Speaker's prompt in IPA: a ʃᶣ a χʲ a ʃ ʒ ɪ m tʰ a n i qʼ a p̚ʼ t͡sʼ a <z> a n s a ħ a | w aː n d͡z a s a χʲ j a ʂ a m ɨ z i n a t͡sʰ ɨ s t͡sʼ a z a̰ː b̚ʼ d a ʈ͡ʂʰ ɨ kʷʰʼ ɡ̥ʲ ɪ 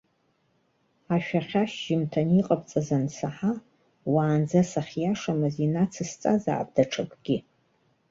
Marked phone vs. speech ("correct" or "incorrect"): correct